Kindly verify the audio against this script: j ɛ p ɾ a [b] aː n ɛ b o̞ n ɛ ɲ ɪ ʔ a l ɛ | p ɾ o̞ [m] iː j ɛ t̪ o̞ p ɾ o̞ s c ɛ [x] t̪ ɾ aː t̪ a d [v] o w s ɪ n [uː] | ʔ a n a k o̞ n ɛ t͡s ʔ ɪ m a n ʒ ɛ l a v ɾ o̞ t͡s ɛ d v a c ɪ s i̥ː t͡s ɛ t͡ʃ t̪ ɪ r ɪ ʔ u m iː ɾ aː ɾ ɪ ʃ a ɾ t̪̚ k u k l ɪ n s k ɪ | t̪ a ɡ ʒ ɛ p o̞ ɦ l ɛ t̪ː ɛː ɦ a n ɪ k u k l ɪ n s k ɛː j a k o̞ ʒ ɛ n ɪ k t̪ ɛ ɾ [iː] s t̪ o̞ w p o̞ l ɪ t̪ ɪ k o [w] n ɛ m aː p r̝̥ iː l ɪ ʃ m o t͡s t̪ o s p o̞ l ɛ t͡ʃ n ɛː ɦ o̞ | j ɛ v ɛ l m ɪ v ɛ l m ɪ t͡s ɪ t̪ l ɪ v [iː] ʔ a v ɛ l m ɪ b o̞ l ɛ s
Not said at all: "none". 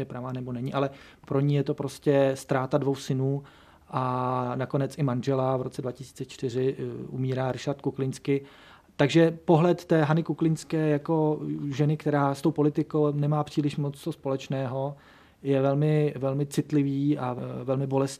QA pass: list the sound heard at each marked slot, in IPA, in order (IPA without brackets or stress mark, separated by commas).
v, ɲ, s, v, uː, aː, w, iː